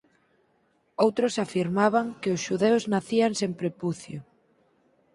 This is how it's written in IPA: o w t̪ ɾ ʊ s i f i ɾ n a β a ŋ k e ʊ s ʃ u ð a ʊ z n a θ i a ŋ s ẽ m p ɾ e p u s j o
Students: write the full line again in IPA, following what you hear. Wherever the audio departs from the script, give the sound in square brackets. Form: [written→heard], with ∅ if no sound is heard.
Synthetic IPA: o w t̪ ɾ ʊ s [i→a] f i ɾ [n→m] a β a ŋ k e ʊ s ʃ u ð [a→e] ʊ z n a θ i a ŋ s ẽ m p ɾ e p u [s→θ] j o